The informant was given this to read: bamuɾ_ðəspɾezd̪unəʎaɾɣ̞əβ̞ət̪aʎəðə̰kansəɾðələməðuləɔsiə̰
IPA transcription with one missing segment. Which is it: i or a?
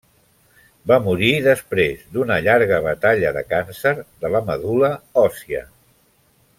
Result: i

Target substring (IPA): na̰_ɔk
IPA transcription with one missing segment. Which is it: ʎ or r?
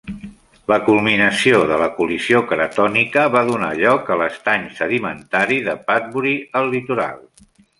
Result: ʎ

